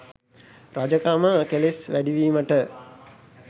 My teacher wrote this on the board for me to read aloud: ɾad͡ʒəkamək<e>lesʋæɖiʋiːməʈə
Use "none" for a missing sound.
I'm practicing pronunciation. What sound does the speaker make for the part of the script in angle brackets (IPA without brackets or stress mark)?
e